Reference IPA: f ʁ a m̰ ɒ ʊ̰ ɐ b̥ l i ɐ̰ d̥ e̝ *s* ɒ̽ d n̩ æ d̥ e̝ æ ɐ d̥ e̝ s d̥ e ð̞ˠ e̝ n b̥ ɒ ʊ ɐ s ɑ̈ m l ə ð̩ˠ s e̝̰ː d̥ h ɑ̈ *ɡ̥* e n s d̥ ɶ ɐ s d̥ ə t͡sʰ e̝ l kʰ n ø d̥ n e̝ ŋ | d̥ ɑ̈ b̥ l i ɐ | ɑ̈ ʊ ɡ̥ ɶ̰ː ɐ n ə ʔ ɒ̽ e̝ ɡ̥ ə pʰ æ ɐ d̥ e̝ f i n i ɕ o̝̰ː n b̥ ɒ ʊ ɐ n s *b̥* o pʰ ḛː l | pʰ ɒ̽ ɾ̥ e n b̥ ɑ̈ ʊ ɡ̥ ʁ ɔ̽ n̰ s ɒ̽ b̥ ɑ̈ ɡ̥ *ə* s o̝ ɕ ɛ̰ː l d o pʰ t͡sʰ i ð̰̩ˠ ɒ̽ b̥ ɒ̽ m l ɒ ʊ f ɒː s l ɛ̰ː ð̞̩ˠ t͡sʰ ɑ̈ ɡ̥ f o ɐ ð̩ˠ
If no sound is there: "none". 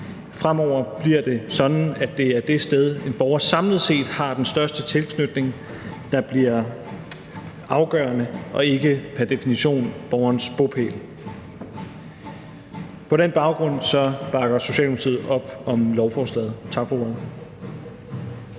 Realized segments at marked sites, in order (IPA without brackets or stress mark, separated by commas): s, d̥, b̥, ɐ